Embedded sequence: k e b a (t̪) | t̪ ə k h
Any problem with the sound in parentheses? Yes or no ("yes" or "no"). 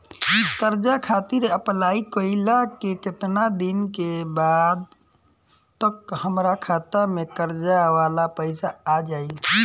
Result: yes